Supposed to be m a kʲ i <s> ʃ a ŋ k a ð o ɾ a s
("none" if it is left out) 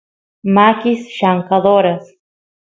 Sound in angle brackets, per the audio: s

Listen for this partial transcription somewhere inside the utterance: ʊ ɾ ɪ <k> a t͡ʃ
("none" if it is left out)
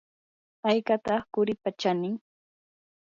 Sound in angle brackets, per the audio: p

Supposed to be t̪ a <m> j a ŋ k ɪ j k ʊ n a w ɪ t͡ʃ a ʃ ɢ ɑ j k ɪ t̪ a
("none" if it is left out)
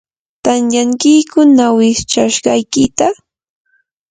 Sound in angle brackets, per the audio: n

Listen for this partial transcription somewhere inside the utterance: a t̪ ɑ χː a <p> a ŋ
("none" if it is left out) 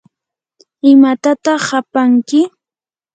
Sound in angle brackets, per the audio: p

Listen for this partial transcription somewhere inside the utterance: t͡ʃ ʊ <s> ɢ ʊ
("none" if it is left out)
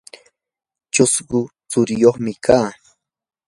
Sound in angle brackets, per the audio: s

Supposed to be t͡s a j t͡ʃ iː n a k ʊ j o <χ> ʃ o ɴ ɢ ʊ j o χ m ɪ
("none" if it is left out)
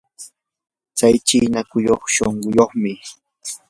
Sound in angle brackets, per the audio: χ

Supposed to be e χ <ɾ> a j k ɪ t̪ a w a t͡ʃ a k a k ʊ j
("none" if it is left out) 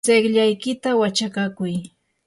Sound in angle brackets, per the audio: ʎ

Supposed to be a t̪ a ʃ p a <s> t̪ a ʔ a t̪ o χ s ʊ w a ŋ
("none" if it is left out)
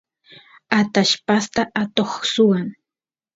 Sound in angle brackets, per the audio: s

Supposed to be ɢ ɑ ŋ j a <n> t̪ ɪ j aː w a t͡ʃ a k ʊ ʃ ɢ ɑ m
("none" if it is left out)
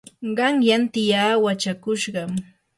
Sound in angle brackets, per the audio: n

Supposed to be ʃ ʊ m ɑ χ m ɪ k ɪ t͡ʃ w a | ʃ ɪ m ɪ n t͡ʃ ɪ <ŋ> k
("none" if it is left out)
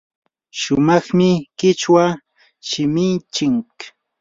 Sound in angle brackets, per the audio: ŋ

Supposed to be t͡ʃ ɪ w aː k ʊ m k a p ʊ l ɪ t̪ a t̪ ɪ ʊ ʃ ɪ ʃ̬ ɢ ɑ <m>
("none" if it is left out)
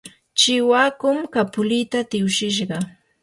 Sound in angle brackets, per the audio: none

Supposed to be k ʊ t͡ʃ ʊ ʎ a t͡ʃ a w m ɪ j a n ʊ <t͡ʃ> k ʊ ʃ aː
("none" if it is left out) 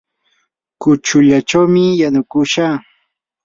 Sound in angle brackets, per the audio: none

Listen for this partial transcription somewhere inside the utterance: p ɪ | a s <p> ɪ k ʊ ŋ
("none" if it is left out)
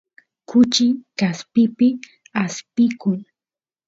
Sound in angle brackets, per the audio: p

